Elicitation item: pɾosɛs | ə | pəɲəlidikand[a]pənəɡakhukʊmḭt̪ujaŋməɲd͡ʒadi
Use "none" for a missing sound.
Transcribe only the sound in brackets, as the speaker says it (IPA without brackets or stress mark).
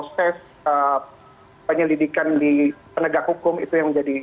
i